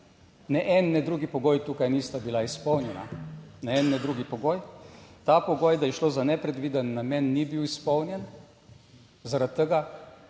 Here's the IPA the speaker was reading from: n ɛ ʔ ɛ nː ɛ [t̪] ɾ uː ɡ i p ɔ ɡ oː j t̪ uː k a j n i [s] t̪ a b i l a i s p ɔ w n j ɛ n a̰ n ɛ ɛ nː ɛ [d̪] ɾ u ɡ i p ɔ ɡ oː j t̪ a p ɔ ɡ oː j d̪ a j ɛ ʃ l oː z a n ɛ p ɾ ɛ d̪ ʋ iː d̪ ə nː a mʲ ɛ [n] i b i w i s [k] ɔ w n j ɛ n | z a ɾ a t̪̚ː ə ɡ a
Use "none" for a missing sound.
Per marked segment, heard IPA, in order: d̪, s, d̪, nː, p

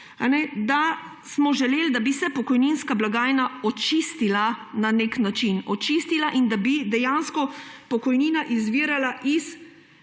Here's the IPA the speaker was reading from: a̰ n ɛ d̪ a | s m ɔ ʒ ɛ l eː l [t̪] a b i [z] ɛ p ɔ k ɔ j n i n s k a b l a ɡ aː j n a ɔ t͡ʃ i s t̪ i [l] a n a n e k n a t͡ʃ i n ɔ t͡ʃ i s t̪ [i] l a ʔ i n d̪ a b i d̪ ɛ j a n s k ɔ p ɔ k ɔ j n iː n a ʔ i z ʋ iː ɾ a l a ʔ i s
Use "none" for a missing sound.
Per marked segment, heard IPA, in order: d̪, s, l, i

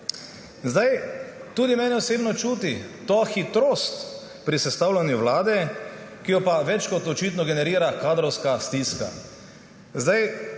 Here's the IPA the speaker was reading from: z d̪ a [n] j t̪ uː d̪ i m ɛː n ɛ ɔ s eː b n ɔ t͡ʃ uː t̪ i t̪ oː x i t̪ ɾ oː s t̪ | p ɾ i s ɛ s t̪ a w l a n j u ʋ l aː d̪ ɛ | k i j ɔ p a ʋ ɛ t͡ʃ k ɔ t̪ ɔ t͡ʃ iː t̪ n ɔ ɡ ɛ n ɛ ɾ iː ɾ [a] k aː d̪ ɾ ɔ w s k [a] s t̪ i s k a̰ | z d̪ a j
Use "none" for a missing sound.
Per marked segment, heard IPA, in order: none, a, a

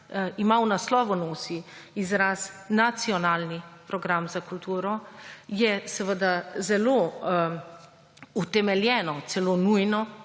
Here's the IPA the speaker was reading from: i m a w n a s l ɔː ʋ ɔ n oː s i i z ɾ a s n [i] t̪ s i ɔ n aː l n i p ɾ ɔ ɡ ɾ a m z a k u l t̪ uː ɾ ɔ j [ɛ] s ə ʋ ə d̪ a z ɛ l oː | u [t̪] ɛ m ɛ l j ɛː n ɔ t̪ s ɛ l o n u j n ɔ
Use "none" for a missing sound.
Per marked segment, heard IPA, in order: a, ɛ, t̪

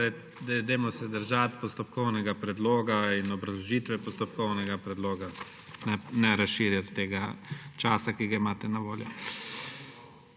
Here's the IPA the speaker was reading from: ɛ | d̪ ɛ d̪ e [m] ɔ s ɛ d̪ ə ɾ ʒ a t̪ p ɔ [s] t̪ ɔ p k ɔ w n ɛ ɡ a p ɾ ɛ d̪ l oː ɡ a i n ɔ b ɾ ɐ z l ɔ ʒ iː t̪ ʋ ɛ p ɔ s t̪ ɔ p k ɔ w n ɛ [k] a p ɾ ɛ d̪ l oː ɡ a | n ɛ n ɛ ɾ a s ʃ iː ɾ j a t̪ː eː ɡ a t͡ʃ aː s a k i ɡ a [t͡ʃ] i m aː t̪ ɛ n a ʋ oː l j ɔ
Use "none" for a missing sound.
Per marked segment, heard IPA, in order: m, s, ɡ, none

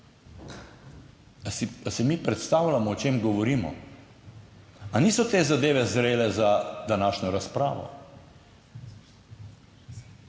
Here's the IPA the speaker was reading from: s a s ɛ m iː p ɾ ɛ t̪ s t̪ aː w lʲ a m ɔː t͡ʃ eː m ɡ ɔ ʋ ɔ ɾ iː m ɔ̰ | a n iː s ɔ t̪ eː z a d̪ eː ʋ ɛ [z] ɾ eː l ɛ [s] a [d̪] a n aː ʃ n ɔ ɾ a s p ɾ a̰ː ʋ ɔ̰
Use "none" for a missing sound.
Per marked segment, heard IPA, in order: z, z, d̪

